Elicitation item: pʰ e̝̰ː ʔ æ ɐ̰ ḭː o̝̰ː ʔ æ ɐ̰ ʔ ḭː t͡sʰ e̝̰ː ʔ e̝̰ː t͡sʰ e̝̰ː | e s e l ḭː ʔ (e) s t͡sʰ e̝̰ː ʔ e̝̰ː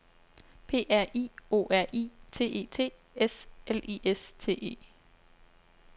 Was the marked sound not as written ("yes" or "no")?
no